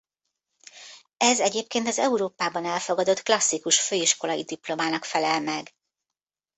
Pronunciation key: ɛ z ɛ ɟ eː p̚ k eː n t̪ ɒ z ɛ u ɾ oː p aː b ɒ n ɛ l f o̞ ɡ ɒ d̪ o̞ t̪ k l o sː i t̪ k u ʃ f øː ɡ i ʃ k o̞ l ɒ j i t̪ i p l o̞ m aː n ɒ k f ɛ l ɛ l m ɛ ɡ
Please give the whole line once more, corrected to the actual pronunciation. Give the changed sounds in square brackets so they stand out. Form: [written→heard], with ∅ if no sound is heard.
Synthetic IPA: ɛ z ɛ ɟ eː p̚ k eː n t̪ ɒ z ɛ u ɾ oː p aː b ɒ n ɛ l f o̞ ɡ ɒ d̪ o̞ t̪ k l [o→ɒ] sː i [t̪→∅] k u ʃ f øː [ɡ→∅] i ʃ k o̞ l ɒ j i [t̪→d̪] i p l o̞ m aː n ɒ k f ɛ l ɛ l m ɛ ɡ